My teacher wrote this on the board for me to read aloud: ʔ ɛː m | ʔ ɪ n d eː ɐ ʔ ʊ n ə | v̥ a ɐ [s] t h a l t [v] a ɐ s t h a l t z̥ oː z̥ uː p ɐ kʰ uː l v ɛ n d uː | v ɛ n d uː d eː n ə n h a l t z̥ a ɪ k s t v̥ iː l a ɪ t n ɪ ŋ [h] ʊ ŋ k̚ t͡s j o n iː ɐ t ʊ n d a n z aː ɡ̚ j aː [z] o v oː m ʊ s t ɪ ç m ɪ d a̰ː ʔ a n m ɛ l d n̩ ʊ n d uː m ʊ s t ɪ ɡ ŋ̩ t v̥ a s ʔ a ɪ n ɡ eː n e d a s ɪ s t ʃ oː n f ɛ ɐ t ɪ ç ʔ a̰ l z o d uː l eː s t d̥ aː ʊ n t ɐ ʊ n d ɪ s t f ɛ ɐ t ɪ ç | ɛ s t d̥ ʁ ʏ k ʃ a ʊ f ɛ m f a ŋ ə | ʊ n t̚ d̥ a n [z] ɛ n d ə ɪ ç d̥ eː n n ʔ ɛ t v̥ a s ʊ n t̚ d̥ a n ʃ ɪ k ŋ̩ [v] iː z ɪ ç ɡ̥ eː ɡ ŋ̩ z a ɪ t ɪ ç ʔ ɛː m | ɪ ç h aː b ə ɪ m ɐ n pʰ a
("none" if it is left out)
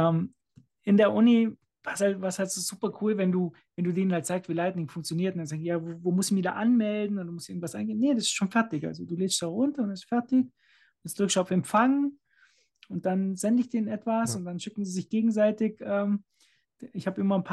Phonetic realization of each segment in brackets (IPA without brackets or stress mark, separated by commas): s, v, f, v, z, z